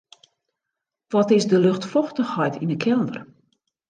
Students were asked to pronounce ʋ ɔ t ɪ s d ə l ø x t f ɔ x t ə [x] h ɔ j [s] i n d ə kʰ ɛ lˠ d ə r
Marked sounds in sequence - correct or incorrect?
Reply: correct, incorrect

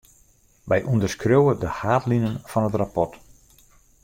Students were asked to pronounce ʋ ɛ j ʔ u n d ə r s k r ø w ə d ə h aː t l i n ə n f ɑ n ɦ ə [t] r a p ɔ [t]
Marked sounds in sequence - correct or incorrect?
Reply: correct, correct

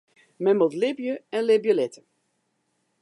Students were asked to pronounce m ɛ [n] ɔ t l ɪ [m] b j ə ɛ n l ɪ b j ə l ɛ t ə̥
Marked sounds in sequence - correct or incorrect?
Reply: incorrect, incorrect

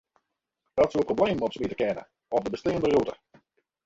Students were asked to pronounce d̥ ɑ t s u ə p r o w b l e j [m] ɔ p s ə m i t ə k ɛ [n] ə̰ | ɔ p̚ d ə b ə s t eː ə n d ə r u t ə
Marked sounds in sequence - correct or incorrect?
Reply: correct, correct

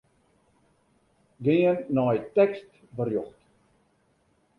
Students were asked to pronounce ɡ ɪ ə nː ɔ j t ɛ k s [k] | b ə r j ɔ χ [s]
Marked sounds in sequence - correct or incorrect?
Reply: incorrect, incorrect

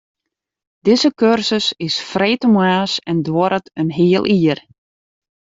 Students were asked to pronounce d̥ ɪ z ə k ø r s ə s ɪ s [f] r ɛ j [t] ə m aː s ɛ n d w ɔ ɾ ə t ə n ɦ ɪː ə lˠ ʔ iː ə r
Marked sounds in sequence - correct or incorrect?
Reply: correct, correct

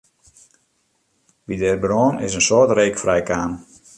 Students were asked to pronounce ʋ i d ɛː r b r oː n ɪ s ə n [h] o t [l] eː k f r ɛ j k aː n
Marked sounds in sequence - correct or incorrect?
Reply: incorrect, incorrect

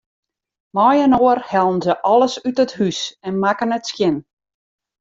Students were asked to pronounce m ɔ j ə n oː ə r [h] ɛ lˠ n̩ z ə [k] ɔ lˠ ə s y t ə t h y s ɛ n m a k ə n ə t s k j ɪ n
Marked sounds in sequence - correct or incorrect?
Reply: correct, incorrect

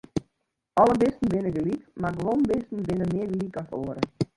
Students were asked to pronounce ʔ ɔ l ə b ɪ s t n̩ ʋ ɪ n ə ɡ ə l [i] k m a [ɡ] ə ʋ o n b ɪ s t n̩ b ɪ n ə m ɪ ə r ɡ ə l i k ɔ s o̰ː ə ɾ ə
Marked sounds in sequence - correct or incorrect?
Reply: correct, correct

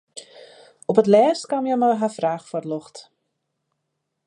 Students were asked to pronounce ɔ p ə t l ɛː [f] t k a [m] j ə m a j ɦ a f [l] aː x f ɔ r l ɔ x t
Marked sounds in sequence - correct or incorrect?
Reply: incorrect, correct, incorrect

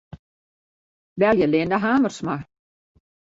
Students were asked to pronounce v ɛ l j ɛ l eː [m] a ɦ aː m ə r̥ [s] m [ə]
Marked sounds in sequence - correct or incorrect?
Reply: incorrect, correct, incorrect

